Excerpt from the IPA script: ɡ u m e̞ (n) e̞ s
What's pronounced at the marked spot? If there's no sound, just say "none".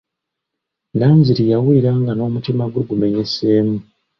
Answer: ɲ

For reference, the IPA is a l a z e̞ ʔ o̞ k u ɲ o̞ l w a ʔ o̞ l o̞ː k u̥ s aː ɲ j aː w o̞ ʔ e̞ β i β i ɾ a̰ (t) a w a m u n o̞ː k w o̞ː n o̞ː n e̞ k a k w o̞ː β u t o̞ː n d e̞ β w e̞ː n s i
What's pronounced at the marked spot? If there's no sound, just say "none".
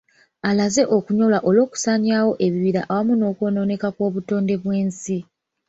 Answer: ʔ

